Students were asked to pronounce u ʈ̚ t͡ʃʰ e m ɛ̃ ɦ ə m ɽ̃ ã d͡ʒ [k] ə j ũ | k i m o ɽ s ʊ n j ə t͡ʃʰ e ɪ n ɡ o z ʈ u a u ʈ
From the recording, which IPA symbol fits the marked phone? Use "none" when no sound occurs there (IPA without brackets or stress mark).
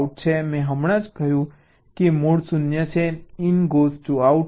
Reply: k